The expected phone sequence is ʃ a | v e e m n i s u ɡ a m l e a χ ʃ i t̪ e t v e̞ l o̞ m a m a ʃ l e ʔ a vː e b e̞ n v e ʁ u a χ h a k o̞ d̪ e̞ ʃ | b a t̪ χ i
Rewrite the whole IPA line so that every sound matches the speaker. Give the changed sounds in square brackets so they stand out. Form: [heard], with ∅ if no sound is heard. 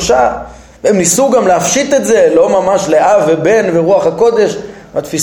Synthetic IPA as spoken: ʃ a | v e e m n i s u ɡ a m l e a [f] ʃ i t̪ e t [z] e̞ l o̞ m a m a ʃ l e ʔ a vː e b e̞ n v e ʁ u a χ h a k o̞ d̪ e̞ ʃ | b a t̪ [f] i